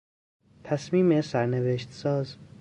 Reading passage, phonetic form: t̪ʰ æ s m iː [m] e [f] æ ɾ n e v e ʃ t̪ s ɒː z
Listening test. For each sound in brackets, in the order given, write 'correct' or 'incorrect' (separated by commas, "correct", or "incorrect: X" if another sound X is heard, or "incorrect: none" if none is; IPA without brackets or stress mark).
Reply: correct, incorrect: s